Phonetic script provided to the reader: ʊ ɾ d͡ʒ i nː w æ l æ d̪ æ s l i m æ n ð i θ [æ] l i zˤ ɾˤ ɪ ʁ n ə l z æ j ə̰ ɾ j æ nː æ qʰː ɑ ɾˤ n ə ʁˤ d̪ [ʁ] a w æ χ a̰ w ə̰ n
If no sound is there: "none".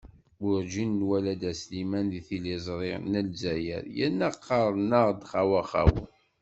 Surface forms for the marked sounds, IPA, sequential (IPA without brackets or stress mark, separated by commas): i, χ